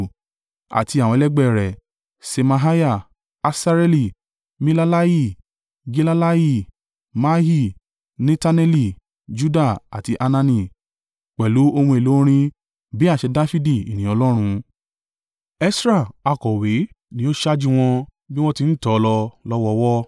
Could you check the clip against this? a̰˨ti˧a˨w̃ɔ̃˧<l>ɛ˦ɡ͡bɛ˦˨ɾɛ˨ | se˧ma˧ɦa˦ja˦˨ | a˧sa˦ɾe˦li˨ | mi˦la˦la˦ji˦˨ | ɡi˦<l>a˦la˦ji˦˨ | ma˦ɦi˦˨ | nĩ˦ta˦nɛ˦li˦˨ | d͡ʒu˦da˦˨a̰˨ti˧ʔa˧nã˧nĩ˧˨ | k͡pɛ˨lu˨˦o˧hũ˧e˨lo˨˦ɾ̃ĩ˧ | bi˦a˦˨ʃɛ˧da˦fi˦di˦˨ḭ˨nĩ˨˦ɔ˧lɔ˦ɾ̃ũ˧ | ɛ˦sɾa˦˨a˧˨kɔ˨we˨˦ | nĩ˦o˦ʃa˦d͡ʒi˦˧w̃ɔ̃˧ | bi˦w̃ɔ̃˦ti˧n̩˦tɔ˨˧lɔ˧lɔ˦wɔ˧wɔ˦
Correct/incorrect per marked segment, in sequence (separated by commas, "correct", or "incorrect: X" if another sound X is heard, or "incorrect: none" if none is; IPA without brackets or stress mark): correct, correct